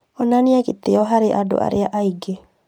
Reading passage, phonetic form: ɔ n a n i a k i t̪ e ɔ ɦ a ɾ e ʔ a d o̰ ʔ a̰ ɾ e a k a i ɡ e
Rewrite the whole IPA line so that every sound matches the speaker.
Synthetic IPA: ɔ n a n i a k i t̪ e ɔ ɦ a ɾ e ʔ a d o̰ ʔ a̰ ɾ e a ʔ a i ɡ e